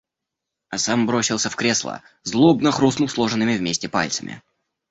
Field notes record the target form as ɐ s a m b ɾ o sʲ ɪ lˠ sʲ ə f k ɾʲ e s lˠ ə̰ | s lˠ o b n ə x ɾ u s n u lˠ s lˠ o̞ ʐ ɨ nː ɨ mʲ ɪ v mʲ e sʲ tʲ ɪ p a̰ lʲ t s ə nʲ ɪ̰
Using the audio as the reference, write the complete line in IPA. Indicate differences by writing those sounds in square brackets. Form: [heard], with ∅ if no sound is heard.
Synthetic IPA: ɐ s a m b ɾ o sʲ ɪ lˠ sʲ ə f k ɾʲ e s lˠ ə̰ | [z] lˠ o b n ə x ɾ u s n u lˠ s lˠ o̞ ʐ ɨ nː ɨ mʲ ɪ v mʲ e sʲ tʲ ɪ p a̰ lʲ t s ə [mʲ] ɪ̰